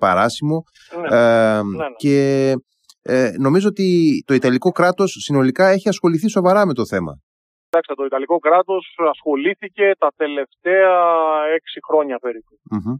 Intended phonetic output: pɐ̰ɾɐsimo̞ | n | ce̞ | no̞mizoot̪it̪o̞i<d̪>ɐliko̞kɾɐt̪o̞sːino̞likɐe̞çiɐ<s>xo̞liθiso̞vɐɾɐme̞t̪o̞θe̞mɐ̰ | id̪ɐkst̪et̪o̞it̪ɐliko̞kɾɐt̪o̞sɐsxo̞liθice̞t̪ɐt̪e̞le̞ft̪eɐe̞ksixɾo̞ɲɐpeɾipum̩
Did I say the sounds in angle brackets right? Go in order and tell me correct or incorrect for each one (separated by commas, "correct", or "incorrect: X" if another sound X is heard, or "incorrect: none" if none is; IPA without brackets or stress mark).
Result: incorrect: t̪, correct